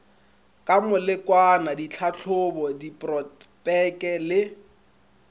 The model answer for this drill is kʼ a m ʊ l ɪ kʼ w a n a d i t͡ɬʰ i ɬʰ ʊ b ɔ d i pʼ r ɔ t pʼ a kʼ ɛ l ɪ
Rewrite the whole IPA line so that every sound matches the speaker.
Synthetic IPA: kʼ a m ʊ l ɪ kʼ w a n a d i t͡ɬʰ a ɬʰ ʊ b ɔ d i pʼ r ɔ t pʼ ɛ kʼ ɛ l ɪ

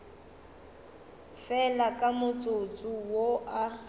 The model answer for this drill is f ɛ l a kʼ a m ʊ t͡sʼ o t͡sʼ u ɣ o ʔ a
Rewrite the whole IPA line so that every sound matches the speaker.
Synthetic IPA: f ɛ l a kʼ a m ʊ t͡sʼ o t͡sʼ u w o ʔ a

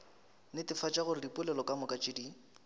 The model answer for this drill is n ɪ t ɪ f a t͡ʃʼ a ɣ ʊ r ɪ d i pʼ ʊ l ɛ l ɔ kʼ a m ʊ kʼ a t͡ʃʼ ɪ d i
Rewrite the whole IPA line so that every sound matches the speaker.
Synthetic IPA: n ɪ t ɪ f a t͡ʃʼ a ɣ ʊ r ɪ d i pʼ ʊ l ɛ l ɔ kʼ a m ʊ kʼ a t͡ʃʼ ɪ d i

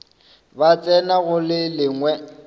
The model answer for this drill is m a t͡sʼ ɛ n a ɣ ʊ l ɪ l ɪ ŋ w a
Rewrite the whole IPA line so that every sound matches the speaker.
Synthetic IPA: b a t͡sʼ ɛ n a ɣ ʊ l ɪ l ɪ ŋ w ɛ

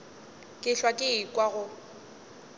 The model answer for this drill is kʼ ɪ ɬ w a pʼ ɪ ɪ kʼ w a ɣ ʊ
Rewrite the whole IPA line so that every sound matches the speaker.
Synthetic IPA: kʼ ɪ ɬ w a kʼ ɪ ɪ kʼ w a ɣ ʊ

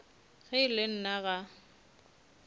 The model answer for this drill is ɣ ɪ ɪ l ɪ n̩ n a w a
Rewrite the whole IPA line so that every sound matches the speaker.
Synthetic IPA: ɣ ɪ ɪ l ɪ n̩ n a ɣ a

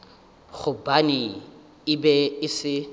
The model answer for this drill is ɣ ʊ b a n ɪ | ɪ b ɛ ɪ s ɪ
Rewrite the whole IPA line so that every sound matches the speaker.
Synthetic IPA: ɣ ʊ b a n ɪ | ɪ b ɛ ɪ s ɪ

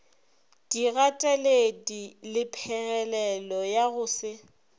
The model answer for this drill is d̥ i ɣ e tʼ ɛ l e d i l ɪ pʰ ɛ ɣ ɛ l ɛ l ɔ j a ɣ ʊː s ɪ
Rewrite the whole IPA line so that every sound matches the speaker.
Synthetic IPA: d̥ i ɣ a tʼ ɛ l e d i l ɪ pʰ ɛ ɣ ɛ l ɛ l ɔ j a ɣ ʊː s ɪ

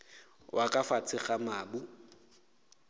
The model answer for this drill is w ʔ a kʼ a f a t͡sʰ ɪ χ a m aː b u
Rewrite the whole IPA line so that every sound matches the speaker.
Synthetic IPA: w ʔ a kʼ a f a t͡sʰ ɪ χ a m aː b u

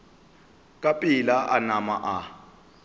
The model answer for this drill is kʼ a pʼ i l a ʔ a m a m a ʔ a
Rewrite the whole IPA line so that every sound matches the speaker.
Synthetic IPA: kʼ a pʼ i l a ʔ a n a m a ʔ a

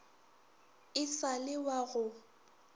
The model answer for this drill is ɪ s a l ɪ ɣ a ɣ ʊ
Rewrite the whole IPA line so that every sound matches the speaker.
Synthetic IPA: ɪ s a l ɪ w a ɣ ʊ

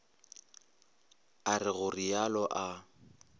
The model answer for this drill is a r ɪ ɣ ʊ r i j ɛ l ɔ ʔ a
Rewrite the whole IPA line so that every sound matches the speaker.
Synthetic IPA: a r ɪ ɣ ʊ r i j a l ɔ ʔ a

